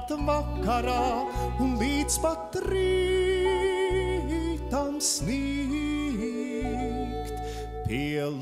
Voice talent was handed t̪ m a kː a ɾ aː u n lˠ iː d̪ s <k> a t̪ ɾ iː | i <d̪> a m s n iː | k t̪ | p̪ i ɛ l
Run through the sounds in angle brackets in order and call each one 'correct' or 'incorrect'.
incorrect: p, incorrect: t̪

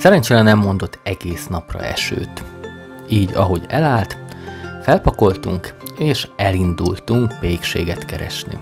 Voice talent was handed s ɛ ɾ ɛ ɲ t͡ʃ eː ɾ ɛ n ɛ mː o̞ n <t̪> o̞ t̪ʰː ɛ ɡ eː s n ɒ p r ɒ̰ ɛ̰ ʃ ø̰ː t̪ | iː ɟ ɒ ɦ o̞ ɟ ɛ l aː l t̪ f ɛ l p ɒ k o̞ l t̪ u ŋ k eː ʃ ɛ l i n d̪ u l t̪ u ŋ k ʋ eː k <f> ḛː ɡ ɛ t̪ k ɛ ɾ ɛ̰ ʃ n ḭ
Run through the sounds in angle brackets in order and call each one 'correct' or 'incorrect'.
incorrect: d̪, incorrect: ʃ

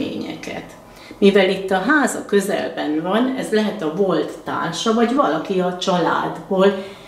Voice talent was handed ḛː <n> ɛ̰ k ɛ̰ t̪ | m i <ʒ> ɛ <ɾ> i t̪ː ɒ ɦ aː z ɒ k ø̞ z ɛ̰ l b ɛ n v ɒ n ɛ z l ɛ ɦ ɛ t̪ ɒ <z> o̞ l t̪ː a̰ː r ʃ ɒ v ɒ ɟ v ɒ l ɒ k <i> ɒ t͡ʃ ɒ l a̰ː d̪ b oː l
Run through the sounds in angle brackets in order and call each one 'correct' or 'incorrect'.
incorrect: ɲ, incorrect: v, incorrect: l, incorrect: v, correct

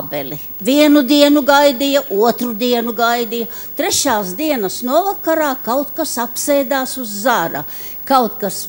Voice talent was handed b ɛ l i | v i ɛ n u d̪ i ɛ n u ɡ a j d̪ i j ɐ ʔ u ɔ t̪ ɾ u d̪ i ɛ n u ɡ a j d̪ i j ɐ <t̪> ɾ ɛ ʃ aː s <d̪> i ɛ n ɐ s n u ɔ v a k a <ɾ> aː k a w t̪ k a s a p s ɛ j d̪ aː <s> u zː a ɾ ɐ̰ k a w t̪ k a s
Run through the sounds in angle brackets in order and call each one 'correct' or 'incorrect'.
correct, correct, correct, correct

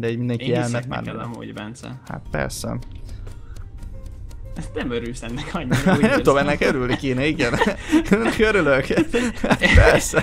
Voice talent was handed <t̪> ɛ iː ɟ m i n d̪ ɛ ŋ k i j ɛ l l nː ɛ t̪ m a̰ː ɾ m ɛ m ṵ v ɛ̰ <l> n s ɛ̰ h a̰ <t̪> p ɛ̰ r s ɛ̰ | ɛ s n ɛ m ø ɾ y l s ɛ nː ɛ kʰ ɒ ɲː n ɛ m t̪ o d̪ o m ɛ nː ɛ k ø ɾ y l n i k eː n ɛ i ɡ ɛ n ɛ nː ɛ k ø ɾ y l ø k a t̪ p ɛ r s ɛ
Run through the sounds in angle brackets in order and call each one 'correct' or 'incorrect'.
incorrect: d̪, incorrect: none, correct

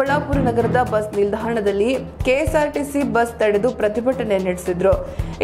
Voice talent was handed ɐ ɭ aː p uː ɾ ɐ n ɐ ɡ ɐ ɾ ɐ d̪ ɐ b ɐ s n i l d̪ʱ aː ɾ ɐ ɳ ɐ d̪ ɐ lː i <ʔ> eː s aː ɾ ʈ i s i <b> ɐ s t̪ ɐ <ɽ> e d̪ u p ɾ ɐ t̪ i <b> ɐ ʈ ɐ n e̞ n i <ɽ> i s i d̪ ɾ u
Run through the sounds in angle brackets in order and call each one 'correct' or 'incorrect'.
incorrect: k, correct, correct, correct, correct

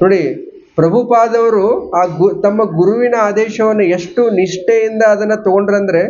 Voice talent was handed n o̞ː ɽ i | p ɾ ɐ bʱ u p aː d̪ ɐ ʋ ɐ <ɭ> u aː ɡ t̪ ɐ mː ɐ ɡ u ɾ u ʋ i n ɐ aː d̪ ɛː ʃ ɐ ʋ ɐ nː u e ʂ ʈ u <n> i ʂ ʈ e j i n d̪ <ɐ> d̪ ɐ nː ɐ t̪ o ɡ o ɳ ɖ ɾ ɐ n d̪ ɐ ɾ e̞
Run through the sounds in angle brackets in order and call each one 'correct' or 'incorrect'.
incorrect: ɾ, correct, incorrect: ɐː

